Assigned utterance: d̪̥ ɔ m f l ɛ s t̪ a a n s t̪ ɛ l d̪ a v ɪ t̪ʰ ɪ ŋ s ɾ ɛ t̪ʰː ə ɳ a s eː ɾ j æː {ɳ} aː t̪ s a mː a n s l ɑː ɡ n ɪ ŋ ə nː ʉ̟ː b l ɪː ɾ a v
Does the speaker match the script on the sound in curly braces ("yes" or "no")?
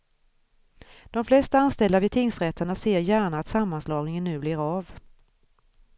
yes